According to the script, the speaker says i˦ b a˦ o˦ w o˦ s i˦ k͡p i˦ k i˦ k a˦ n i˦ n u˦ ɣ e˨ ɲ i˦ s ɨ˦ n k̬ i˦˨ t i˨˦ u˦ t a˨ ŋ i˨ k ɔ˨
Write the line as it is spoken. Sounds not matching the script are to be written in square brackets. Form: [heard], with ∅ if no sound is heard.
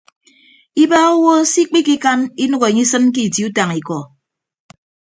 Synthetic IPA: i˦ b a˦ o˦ w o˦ s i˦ k͡p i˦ k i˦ k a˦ n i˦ n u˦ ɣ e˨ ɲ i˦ s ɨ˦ n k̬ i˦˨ t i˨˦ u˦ t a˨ ŋ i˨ k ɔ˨